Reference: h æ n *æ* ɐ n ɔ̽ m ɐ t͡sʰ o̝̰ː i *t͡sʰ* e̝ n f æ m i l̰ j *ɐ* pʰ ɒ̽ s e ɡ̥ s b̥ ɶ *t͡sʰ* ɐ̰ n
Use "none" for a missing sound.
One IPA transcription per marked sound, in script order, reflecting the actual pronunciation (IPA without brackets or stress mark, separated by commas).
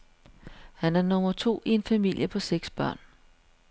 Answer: æ, none, ə, none